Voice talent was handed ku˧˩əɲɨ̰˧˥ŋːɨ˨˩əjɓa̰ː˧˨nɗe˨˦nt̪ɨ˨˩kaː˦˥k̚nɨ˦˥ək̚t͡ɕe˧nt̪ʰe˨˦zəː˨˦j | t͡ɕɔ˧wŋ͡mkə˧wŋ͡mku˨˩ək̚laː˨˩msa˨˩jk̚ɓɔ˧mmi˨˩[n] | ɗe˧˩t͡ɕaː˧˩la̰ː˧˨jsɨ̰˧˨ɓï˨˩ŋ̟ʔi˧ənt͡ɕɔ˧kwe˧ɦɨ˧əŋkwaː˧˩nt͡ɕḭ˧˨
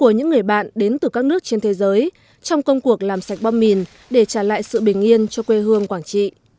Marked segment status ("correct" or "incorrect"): correct